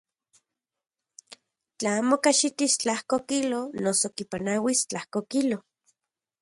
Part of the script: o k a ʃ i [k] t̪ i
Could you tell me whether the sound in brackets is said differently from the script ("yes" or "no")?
yes